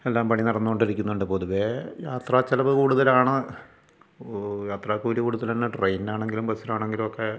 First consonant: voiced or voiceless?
voiced